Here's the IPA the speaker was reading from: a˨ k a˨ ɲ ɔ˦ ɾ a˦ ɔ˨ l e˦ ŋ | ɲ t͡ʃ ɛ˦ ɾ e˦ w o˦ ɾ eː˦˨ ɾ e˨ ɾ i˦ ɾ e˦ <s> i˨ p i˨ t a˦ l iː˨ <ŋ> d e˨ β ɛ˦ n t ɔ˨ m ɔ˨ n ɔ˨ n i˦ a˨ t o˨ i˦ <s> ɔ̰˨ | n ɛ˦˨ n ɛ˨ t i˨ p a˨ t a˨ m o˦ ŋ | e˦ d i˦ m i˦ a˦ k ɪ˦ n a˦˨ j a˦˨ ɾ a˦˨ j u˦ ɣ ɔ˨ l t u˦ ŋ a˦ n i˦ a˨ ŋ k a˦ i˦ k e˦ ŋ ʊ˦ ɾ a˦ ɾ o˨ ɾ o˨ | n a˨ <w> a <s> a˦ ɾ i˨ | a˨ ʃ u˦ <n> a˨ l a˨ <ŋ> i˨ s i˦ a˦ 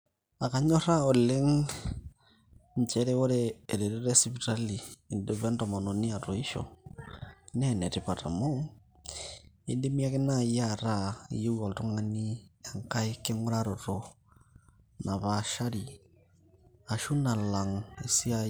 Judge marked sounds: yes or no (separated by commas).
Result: yes, no, no, no, no, yes, yes